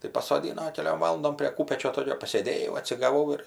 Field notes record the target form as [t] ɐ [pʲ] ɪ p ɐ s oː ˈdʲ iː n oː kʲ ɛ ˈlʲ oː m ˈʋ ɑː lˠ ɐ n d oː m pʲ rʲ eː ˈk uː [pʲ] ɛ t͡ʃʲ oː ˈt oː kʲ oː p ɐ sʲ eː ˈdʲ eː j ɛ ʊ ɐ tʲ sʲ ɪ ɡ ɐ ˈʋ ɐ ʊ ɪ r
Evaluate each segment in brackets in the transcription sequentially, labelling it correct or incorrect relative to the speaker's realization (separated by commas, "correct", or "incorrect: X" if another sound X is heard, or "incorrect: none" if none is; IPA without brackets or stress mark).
correct, incorrect: none, correct